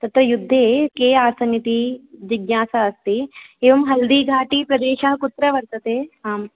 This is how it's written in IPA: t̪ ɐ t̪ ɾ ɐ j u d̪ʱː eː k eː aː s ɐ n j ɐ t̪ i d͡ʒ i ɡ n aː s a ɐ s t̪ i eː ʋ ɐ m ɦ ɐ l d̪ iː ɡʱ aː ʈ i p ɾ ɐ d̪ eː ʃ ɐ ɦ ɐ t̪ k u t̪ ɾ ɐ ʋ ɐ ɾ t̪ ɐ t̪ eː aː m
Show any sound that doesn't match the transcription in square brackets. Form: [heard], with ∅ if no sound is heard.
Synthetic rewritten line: t̪ ɐ t̪ ɾ ɐ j u d̪ʱː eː k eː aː s ɐ n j ɐ t̪ i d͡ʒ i ɡ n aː s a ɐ s t̪ i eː ʋ ɐ m ɦ ɐ l d̪ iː ɡʱ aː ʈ i p ɾ ɐ d̪ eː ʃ ɐ ɦ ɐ [∅] k u t̪ ɾ ɐ ʋ ɐ ɾ t̪ ɐ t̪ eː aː m